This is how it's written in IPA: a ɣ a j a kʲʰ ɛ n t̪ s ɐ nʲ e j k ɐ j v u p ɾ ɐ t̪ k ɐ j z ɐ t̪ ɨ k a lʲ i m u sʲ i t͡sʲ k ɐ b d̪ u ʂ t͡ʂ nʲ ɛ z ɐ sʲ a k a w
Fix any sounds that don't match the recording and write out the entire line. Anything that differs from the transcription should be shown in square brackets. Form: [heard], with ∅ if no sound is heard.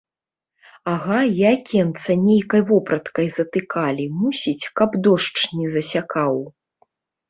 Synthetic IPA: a ɣ a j a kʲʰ ɛ n t̪ s ɐ nʲ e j k ɐ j v [ɔ] p ɾ ɐ t̪ k ɐ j z ɐ t̪ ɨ k a lʲ i m u sʲ i t͡sʲ k ɐ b d̪ [ɔ] ʂ t͡ʂ nʲ ɛ z ɐ sʲ a k a w

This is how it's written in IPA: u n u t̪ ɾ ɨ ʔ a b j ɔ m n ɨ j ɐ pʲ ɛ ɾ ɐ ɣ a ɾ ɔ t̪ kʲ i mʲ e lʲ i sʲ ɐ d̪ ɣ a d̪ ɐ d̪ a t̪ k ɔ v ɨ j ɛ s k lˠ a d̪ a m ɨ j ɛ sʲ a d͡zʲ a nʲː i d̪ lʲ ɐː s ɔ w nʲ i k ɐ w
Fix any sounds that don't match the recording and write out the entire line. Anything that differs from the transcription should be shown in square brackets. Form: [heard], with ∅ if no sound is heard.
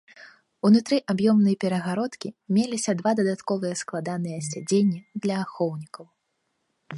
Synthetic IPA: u n u t̪ ɾ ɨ ʔ a b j ɔ m n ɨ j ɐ pʲ ɛ ɾ ɐ ɣ a ɾ ɔ t̪ kʲ i mʲ e lʲ i sʲ ɐ d̪ [v] a d̪ ɐ d̪ a t̪ k ɔ v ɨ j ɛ s k lˠ a d̪ a [n] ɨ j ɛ sʲ a d͡zʲ [e] nʲː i d̪ lʲ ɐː [x] ɔ w nʲ i k ɐ w

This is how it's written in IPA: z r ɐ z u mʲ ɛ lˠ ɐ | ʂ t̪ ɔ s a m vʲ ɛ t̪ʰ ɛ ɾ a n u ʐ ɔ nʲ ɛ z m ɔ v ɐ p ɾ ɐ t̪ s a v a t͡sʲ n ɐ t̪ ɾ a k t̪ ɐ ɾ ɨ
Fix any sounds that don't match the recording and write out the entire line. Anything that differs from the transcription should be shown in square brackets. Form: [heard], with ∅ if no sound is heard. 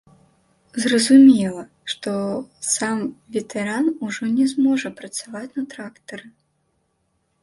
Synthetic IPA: z r ɐ z u mʲ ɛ lˠ ɐ | ʂ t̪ ɔ s a m vʲ ɛ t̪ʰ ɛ ɾ a n u ʐ ɔ nʲ ɛ z m ɔ [ʐ] ɐ p ɾ ɐ t̪ s a v a t͡sʲ n ɐ t̪ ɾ a k t̪ ɐ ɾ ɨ

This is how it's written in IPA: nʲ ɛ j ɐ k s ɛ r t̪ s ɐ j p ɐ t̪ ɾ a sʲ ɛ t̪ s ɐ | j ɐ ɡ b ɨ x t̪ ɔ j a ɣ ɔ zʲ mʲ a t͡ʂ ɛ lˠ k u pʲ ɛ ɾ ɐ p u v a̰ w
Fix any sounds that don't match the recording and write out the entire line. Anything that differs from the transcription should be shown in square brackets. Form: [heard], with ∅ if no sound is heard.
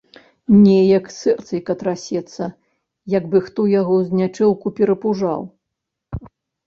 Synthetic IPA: nʲ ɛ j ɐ k s ɛ r t̪ s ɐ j [k] ɐ t̪ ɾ a sʲ ɛ t̪ s ɐ | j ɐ ɡ b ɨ x t̪ ɔ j a ɣ ɔ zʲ [nʲ] a t͡ʂ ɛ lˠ k u pʲ ɛ ɾ ɐ p u [ʐ] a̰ w

